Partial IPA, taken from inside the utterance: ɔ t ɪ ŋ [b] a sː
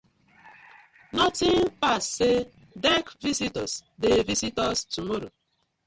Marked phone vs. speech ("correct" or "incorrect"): incorrect